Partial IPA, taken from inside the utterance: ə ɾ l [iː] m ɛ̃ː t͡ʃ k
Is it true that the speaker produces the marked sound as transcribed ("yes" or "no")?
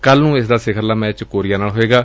no